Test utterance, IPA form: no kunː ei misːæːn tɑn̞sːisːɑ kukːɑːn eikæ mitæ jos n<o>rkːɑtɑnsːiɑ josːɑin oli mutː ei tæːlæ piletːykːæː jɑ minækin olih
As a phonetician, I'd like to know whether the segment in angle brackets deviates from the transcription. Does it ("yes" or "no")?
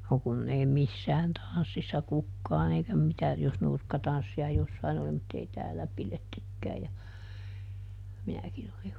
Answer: yes